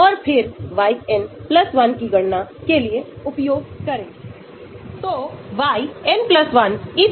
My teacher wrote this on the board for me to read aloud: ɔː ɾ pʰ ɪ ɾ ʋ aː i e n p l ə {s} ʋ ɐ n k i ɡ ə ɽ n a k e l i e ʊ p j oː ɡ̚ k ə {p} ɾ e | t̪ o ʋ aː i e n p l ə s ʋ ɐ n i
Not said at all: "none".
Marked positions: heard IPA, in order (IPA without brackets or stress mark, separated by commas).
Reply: s, none